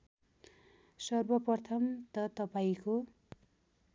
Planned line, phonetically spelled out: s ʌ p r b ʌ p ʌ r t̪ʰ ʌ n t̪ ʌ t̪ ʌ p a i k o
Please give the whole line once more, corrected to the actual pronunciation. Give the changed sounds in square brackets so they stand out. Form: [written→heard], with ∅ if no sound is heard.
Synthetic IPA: s ʌ [p→∅] r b ʌ p ʌ r t̪ʰ ʌ [n→m] t̪ ʌ t̪ ʌ p a i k o